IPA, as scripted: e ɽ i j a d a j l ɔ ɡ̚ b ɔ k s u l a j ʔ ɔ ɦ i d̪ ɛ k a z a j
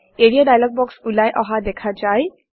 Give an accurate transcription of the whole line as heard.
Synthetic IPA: e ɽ i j a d a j l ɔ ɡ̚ b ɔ k s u l a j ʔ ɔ ɦ a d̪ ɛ kʰ a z a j